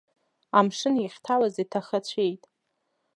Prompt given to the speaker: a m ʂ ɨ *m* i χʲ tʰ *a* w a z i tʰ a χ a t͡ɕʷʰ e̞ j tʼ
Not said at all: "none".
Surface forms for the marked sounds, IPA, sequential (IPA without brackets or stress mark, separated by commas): n, a